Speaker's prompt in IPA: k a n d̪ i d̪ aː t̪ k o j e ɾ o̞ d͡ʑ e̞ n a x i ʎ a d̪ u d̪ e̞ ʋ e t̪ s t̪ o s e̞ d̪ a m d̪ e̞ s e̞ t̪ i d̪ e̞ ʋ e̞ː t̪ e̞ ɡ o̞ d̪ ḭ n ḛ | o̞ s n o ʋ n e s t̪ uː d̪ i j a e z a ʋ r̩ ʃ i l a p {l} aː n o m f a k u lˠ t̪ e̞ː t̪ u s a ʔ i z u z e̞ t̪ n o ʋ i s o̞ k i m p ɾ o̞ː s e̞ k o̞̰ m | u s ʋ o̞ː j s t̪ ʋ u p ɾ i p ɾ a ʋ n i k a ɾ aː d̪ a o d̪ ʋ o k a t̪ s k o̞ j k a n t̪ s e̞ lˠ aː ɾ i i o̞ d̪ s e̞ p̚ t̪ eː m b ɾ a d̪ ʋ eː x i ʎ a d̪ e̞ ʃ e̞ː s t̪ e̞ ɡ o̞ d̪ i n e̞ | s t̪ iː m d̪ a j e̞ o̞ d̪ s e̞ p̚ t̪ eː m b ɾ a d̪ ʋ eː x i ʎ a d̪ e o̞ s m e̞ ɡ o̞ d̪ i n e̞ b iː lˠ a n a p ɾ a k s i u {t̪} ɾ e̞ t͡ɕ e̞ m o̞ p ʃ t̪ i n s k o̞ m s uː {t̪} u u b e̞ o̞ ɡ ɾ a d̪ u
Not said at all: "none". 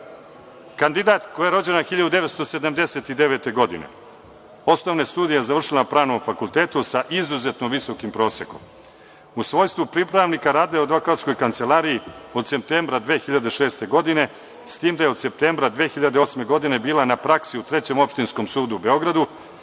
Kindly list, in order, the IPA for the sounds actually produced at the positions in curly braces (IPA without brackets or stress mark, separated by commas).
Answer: ɾ, t̪, d̪